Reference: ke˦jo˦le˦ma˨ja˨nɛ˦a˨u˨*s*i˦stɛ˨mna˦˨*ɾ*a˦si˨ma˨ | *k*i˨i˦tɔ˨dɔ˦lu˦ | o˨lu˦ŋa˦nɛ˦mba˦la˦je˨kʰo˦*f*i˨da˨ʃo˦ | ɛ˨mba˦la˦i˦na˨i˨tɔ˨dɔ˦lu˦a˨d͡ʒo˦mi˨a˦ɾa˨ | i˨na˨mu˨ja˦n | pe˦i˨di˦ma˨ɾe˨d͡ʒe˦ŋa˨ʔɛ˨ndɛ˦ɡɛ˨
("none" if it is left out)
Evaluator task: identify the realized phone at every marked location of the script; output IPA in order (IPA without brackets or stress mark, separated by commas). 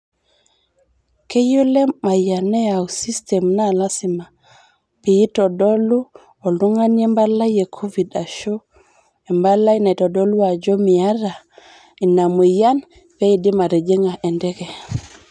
s, l, p, v